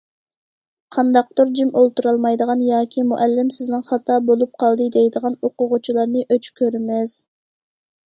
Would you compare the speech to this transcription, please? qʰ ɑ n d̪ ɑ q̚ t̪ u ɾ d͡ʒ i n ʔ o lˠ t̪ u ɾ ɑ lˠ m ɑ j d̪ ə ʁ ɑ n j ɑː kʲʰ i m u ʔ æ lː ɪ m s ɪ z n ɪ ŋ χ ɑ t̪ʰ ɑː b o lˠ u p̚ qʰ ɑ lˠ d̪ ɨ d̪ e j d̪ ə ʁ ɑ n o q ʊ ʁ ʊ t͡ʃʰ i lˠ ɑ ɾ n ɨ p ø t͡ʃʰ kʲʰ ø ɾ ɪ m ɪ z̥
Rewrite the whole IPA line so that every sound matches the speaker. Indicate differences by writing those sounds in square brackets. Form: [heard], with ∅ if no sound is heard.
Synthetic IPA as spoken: qʰ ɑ n d̪ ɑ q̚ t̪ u ɾ d͡ʒ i [m] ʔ o lˠ t̪ u ɾ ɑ lˠ m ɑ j d̪ ə ʁ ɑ n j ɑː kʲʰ i m u ʔ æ lː ɪ m s ɪ z n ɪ ŋ χ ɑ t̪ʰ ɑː b o lˠ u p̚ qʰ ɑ lˠ d̪ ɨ d̪ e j d̪ ə ʁ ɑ n o q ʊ ʁ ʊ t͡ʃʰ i lˠ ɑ ɾ n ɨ [ʔ] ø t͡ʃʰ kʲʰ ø ɾ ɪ m ɪ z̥